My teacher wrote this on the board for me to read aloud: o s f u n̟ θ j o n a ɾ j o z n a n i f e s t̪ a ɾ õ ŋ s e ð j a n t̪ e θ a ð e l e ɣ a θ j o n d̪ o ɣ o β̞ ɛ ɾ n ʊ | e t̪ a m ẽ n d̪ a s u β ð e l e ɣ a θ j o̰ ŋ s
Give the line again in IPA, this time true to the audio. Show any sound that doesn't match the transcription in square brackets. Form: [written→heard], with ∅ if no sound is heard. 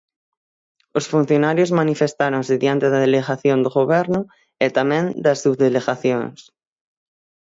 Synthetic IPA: o s f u n̟ θ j o n a ɾ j o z [n→m] a n i f e s t̪ a ɾ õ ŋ s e ð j a n t̪ e [θ→ð] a ð e l e ɣ a θ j o n d̪ o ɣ o β̞ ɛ ɾ n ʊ | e t̪ a m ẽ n d̪ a s u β ð e l e ɣ a θ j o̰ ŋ s